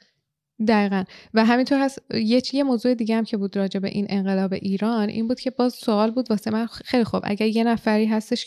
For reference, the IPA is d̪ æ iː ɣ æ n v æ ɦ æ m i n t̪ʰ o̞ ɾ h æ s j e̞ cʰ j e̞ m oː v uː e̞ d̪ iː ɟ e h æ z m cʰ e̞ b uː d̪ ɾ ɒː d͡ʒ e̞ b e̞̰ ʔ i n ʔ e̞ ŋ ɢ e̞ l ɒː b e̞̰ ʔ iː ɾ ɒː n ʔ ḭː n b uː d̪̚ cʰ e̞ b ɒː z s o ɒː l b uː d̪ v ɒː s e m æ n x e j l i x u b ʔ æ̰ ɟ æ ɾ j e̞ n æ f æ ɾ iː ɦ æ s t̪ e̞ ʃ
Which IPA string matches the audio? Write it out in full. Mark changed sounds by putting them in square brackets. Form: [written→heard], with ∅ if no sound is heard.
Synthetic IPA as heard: d̪ æ iː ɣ æ n v æ ɦ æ m i n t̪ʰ o̞ ɾ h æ s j e̞ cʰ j e̞ m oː [v→z] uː e̞ d̪ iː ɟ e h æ [z→∅] m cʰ e̞ b uː d̪ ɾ ɒː d͡ʒ e̞ b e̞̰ ʔ i n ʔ e̞ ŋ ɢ e̞ l ɒː b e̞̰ ʔ iː ɾ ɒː n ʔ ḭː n b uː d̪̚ cʰ e̞ b ɒː z s o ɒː l b uː d̪ v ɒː s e m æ n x e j l i x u b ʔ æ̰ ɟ æ ɾ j e̞ n æ f æ ɾ iː ɦ æ s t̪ e̞ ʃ